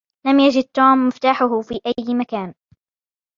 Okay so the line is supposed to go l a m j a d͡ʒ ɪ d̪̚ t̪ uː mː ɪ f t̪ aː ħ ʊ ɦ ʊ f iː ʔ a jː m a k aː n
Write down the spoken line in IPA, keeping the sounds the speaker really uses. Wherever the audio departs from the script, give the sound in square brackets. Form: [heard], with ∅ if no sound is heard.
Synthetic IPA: l a m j a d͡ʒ ɪ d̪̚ t̪ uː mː ɪ f t̪ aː ħ ʊ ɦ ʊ f iː ʔ a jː m a k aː n